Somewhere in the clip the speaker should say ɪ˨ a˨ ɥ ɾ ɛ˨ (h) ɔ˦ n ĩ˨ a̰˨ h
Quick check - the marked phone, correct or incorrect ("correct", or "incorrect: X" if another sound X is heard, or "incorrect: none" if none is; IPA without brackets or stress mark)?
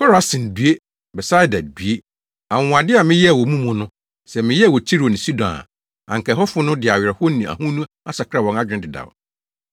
correct